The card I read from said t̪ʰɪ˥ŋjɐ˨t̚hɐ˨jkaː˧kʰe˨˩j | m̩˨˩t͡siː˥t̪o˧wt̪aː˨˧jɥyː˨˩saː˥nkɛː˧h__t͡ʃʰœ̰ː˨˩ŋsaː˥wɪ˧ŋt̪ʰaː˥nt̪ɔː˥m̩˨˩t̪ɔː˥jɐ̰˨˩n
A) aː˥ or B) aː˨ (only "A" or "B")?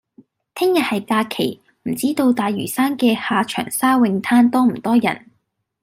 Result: B